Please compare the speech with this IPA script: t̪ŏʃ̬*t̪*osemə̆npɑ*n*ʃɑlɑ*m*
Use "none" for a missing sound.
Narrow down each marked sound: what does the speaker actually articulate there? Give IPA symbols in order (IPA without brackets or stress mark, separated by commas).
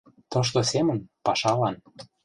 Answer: t̪, none, n